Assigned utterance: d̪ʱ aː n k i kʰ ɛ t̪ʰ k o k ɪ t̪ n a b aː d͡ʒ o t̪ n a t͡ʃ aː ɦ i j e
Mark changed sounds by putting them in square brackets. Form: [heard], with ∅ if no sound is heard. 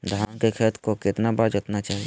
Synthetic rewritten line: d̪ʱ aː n k [e] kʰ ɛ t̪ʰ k o k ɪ t̪ n a b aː d͡ʒ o t̪ n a t͡ʃ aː ɦ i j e